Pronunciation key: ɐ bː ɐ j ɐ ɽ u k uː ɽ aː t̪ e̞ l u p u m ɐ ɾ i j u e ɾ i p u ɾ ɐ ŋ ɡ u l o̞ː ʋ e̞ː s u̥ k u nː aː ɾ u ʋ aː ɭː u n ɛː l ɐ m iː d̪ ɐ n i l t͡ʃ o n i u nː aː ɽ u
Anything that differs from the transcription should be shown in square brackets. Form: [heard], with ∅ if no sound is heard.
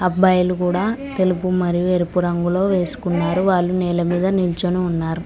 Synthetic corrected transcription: ɐ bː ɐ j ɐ [l] u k uː ɽ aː t̪ e̞ l u p u m ɐ ɾ i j u e ɾ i p u ɾ ɐ ŋ ɡ u l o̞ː ʋ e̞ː s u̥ k u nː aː ɾ u ʋ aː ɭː u n ɛː l ɐ m iː d̪ ɐ n i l t͡ʃ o n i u nː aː [ɾ] u